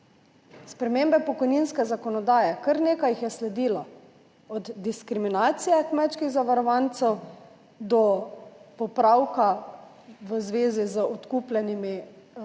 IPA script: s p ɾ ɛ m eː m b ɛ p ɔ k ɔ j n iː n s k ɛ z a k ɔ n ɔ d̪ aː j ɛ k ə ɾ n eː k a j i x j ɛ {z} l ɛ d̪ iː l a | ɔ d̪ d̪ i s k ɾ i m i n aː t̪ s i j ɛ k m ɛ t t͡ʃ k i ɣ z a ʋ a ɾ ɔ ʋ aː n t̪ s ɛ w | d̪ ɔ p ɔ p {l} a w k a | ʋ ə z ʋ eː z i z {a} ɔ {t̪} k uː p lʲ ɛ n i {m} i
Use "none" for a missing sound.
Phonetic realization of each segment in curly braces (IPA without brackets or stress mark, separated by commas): s, ɾ, ə, t̪, m